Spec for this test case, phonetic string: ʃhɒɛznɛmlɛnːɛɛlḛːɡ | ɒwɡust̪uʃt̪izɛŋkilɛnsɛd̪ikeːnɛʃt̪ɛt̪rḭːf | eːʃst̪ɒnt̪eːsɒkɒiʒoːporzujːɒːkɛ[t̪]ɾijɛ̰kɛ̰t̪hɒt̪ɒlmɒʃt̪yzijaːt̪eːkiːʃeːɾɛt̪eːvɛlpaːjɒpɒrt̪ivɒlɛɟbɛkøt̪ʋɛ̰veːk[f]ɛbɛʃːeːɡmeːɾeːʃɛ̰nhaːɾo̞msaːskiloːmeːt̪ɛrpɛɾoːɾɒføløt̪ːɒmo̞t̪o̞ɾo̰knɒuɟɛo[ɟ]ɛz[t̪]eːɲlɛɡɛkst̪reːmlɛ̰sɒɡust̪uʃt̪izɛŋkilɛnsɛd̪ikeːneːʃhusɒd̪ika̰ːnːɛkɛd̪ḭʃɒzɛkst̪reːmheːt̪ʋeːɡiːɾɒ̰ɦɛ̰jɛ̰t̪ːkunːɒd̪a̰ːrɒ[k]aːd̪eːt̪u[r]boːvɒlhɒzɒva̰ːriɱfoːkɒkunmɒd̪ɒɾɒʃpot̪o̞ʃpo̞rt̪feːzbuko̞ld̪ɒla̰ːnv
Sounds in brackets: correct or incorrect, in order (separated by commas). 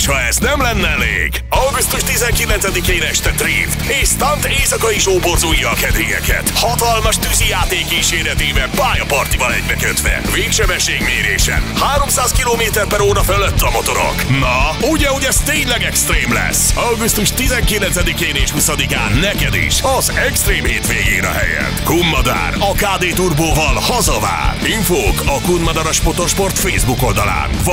incorrect, incorrect, correct, correct, correct, correct